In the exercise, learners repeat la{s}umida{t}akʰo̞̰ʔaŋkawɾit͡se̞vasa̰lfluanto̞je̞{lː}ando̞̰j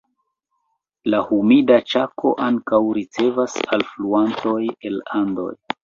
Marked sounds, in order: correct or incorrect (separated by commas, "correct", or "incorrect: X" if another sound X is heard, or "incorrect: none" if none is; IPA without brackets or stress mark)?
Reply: incorrect: h, incorrect: t͡ʃ, incorrect: l